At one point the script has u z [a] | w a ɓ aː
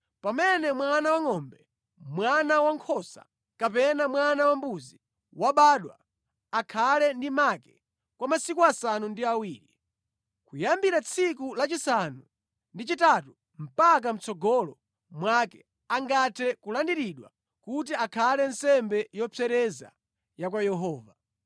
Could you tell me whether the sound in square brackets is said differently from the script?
yes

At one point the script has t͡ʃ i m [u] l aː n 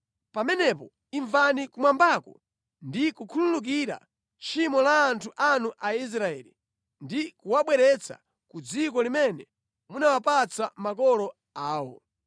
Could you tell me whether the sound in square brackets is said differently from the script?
yes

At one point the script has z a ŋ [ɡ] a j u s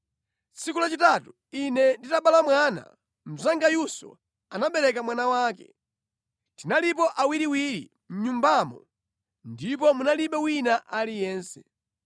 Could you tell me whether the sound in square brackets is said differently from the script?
no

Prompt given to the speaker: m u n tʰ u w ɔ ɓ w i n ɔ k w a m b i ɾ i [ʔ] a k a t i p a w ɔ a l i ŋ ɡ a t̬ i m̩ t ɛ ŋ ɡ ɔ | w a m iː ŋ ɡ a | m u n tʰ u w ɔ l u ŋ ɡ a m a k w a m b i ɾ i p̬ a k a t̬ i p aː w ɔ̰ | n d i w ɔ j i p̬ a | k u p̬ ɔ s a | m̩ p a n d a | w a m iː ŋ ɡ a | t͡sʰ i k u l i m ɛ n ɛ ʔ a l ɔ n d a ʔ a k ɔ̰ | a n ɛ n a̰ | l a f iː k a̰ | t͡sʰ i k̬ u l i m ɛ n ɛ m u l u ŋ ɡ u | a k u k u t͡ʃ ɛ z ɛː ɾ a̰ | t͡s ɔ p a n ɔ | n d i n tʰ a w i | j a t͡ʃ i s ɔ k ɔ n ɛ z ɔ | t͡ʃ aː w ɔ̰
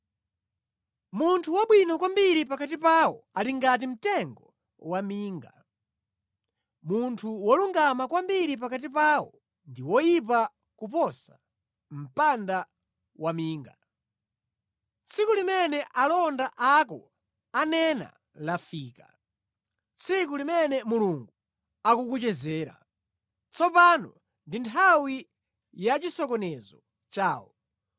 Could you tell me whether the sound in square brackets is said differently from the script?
yes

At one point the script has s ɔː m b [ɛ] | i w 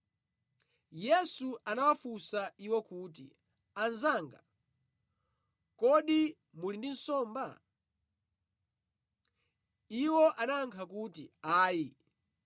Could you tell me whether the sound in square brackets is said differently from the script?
yes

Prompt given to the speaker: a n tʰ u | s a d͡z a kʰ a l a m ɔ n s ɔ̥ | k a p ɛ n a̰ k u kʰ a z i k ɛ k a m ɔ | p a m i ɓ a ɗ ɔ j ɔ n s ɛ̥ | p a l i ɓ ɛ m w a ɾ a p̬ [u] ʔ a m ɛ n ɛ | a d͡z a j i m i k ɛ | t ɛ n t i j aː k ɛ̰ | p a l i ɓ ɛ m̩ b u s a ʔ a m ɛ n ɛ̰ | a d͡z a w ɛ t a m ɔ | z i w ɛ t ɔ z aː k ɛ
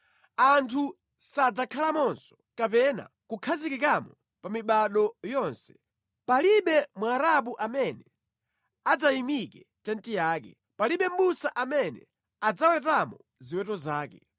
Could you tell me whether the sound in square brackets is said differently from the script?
no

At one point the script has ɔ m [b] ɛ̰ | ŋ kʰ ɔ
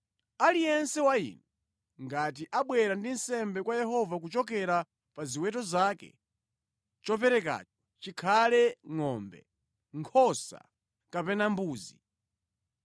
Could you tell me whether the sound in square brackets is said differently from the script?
no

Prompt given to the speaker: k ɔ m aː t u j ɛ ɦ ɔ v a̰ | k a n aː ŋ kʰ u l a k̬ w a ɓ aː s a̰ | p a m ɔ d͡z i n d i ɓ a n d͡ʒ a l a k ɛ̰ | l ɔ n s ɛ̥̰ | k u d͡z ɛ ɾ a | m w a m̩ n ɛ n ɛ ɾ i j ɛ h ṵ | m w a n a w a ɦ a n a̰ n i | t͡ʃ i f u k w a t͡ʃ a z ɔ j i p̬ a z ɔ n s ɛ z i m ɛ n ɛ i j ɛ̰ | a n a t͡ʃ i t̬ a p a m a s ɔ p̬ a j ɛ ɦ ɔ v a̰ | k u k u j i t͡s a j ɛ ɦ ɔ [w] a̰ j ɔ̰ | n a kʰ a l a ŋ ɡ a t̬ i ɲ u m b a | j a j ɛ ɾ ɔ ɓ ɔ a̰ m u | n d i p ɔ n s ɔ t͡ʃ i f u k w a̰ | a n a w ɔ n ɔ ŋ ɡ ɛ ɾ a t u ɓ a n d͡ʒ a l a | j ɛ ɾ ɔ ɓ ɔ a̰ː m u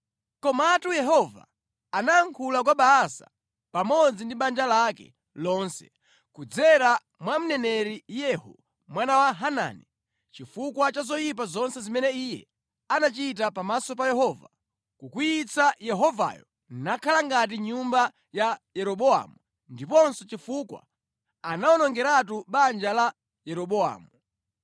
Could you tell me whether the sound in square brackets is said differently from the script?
yes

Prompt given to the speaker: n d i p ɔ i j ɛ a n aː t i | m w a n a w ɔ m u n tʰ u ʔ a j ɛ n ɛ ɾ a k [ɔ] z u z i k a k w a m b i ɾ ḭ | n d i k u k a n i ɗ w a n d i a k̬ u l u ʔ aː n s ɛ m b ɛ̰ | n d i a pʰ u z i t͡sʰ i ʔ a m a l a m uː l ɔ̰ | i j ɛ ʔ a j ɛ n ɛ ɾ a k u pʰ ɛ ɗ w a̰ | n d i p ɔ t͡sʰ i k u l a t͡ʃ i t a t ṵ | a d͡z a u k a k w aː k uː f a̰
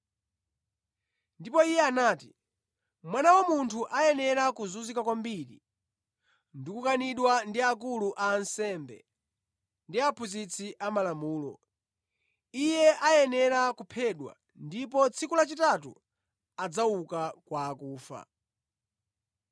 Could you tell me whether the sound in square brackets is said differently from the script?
yes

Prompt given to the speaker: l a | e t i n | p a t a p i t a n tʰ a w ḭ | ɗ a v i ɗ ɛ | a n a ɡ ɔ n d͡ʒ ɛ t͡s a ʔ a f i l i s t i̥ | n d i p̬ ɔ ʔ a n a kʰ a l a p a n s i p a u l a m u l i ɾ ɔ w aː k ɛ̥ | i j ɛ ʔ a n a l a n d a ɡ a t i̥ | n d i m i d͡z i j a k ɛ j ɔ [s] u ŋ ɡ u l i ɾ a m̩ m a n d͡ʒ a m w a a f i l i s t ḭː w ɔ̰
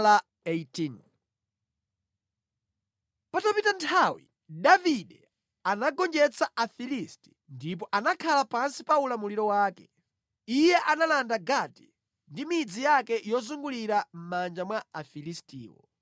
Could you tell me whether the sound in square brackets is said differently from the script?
yes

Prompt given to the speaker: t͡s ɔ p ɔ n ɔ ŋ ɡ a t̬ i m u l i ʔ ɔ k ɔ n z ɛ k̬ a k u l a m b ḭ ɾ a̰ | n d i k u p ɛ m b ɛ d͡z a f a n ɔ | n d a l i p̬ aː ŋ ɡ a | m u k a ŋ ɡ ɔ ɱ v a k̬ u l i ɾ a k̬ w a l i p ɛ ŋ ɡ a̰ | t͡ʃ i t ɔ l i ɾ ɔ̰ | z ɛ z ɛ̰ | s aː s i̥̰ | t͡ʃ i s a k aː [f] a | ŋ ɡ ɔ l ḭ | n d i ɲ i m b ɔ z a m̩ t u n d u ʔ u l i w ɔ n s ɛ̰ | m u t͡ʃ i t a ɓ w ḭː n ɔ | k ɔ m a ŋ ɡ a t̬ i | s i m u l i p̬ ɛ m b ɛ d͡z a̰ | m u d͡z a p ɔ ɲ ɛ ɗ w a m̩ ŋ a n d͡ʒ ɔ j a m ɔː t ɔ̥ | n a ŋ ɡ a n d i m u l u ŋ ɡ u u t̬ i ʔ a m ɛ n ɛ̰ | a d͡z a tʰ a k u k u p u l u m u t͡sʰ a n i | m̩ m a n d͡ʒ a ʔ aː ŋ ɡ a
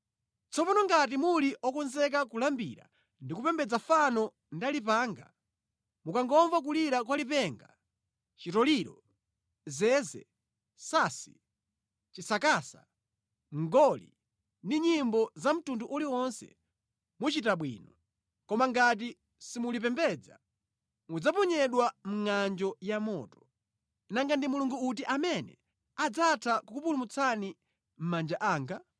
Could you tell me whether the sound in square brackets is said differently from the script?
yes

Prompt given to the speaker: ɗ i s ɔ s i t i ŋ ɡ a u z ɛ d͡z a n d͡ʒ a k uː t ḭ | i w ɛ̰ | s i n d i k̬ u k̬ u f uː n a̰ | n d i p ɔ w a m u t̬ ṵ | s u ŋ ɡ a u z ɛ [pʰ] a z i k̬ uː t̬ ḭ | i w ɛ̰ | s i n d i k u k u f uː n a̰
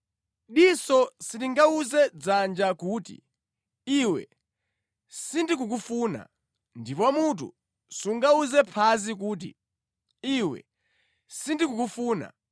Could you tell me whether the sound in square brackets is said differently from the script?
no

